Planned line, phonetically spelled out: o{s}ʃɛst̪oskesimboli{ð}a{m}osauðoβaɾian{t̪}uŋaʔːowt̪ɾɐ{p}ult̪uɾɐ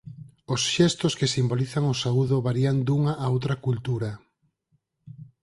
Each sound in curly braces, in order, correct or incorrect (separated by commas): correct, incorrect, incorrect, incorrect, incorrect